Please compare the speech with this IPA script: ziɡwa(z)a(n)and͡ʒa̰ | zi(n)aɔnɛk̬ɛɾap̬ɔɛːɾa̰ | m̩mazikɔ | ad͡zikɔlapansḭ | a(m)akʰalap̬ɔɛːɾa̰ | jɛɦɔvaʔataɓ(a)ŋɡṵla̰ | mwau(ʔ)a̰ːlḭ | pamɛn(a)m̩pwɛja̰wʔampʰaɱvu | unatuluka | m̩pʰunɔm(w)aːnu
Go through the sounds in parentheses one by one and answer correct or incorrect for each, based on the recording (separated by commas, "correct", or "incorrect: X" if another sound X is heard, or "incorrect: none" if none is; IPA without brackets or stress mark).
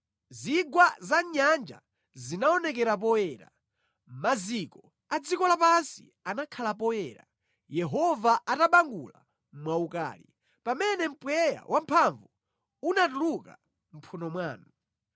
correct, incorrect: ɲ, correct, incorrect: n, correct, incorrect: k, incorrect: ɛ, correct